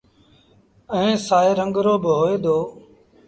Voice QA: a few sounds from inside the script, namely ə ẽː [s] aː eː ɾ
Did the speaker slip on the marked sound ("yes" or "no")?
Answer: no